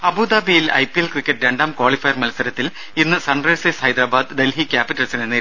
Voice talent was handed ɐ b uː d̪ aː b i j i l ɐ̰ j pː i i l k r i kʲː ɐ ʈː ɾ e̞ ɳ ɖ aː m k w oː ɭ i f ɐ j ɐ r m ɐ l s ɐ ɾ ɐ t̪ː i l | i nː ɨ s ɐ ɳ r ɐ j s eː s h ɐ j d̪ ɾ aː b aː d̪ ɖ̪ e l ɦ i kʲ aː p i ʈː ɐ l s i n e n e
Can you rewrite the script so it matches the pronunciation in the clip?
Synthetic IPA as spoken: ɐ b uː d̪ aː b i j i l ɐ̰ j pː i e l k r i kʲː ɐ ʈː ɾ e̞ ɳ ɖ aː m k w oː ɭ i f ɐ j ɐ r m ɐ l s ɐ ɾ ɐ t̪ː i l | i nː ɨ s ɐ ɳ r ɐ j s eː s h ɐ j d̪ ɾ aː b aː d̪ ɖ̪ e l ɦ i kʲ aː p i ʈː ɐ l s i n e n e